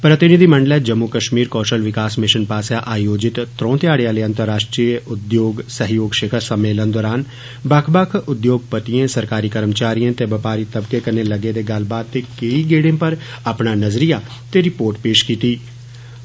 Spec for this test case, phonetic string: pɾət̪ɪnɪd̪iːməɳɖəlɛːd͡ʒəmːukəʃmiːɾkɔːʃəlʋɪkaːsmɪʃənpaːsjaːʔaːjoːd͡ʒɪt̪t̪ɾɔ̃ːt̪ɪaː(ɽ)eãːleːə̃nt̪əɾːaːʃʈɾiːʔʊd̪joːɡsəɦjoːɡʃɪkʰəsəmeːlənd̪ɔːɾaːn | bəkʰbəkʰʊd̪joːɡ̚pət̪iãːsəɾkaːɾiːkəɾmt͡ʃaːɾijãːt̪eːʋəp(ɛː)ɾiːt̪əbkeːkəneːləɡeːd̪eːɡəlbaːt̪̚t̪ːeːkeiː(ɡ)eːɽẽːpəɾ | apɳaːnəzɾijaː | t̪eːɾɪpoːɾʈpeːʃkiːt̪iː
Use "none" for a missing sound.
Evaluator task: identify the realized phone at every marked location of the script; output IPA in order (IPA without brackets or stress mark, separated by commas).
ɽ, aː, ɡ